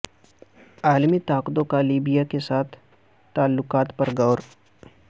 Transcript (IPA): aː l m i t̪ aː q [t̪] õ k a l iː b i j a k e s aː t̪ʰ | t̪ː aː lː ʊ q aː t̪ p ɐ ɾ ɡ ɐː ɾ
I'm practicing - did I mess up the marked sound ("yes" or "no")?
yes